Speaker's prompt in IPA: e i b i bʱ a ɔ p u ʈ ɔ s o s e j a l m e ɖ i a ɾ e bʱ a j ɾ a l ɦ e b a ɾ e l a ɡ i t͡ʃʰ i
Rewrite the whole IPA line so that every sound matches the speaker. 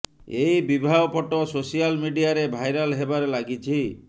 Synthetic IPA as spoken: e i b i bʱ a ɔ p ɔ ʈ ɔ s o s i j a l m i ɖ i a ɾ e bʱ a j ɾ a l ɦ e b a ɾ e l a ɡ i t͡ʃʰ i